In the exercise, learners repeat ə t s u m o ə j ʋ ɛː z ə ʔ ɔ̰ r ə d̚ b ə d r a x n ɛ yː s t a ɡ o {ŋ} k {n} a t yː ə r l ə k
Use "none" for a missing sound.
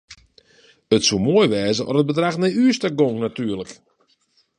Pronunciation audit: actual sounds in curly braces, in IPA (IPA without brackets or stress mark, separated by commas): ŋ, n